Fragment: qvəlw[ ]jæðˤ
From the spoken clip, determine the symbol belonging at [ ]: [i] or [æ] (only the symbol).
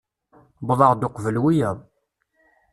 i